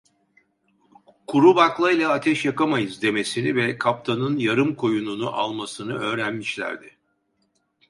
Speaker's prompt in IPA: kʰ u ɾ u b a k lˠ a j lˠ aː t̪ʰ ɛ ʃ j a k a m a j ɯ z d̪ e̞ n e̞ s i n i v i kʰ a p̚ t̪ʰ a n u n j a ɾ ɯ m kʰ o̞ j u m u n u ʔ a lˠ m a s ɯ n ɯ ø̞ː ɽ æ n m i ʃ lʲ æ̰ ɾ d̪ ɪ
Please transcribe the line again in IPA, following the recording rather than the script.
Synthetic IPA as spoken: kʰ u ɾ u b a k lˠ a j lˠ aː t̪ʰ ɛ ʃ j a k a m a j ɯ z d̪ e̞ m e̞ s i n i v ɛ kʰ a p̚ t̪ʰ a n ɯ n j a ɾ ɯ m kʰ o̞ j u n u n u ʔ a lˠ m a s ɯ n ɯ ø̞ː ɾ æ n m i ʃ lʲ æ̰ ɾ d̪ ɪ